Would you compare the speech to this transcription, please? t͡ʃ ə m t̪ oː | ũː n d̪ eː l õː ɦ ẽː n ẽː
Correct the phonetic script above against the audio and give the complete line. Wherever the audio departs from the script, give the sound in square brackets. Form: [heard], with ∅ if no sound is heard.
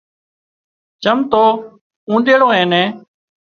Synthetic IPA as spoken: t͡ʃ ə m t̪ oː | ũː n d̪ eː [ɽ] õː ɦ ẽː n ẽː